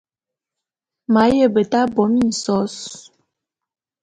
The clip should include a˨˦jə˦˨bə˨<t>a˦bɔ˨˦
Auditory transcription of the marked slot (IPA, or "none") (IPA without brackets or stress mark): t